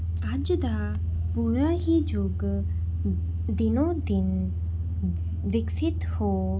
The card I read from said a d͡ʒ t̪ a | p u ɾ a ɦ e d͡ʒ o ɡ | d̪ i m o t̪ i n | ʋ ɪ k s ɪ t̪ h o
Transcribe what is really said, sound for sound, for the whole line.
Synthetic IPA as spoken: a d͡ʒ d̪ a | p u ɾ a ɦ i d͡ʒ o ɡ | d̪ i n o d̪ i n | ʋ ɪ k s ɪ t̪ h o